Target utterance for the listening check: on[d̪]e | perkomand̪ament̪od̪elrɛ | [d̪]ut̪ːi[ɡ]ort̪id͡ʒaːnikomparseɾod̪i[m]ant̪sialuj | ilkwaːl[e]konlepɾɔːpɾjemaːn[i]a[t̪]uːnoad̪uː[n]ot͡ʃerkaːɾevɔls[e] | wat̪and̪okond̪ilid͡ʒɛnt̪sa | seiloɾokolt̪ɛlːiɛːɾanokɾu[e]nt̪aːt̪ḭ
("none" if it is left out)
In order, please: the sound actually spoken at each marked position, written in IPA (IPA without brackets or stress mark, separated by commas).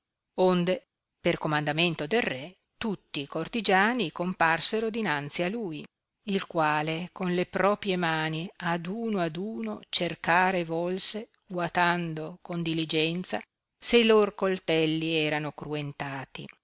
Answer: d̪, t̪, k, n, e, i, d̪, n, e, e